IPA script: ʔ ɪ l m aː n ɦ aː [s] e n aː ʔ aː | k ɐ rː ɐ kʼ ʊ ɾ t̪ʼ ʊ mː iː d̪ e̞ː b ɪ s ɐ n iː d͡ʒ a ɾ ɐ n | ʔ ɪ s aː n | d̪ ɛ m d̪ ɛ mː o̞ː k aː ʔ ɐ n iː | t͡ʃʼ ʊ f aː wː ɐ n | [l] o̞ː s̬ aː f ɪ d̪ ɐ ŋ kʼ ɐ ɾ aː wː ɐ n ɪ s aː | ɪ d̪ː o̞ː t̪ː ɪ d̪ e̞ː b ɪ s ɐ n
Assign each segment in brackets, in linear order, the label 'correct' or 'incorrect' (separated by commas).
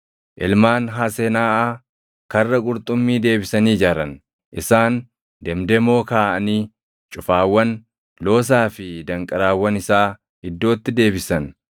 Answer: correct, correct